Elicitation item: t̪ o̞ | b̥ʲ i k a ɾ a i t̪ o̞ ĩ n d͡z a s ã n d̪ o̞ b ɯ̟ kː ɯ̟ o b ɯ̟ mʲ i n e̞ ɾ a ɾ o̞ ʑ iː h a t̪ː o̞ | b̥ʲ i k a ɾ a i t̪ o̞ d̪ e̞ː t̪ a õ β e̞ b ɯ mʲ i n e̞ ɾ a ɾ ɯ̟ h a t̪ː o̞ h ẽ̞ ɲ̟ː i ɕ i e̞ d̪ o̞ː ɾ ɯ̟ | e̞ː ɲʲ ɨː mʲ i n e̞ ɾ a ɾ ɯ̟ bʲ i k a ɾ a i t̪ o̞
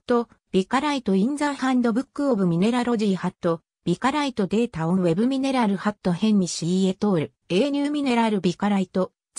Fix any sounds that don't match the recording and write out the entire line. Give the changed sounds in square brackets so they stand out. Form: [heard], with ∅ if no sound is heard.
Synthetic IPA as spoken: t̪ o̞ | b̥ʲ i k a ɾ a i t̪ o̞ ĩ n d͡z a [h] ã n d̪ o̞ b ɯ̟ kː ɯ̟ o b ɯ̟ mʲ i n e̞ ɾ a ɾ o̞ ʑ iː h a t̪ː o̞ | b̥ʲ i k a ɾ a i t̪ o̞ d̪ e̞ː t̪ a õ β e̞ b ɯ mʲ i n e̞ ɾ a ɾ ɯ̟ h a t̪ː o̞ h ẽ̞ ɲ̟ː i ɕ i e̞ [t̪] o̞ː ɾ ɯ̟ | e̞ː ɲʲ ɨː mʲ i n e̞ ɾ a ɾ ɯ̟ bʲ i k a ɾ a i t̪ o̞